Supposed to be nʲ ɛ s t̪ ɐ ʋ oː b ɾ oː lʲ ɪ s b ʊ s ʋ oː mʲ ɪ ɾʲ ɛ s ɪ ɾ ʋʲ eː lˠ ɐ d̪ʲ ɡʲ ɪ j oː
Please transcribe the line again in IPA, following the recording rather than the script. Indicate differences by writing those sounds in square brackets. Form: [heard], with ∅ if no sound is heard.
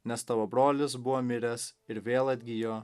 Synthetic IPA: nʲ ɛ s t̪ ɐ ʋ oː b ɾ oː lʲ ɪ s b ʊ [∅] ʋ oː mʲ ɪ ɾʲ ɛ s ɪ ɾ ʋʲ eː lˠ ɐ d̪ʲ ɡʲ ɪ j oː